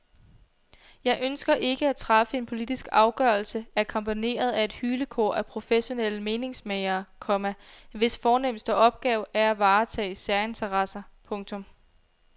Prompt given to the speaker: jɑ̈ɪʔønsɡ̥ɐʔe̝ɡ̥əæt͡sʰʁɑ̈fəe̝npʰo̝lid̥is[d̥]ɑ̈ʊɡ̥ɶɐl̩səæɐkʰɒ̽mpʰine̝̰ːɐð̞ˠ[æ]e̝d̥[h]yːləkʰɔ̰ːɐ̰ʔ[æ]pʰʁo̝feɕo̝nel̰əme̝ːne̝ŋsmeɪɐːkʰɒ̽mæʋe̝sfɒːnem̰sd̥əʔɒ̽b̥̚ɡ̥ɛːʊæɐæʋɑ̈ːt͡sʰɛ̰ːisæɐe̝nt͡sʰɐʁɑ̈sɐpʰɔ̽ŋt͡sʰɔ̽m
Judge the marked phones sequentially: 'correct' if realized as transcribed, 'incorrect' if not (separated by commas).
incorrect, correct, correct, correct